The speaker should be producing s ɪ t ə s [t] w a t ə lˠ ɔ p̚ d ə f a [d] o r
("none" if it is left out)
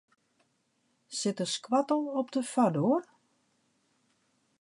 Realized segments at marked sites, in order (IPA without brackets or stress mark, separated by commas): k, d